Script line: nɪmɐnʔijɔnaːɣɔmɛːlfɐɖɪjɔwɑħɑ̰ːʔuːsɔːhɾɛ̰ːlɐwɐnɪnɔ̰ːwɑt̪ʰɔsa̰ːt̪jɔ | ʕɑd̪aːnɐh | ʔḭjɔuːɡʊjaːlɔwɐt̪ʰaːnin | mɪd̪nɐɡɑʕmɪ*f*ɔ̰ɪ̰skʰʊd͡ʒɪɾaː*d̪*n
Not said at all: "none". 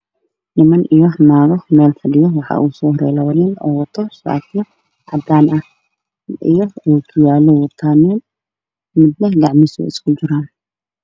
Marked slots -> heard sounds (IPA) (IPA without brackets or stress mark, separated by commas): s, none